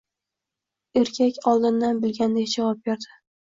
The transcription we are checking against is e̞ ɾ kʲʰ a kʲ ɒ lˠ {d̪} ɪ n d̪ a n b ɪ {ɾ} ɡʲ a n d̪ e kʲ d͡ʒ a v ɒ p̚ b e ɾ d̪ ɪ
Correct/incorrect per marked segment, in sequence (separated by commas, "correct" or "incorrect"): correct, incorrect